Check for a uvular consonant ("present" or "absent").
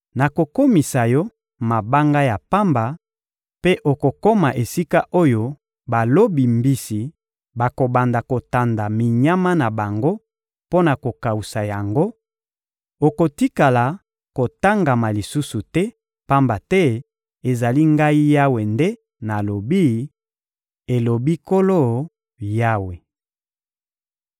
absent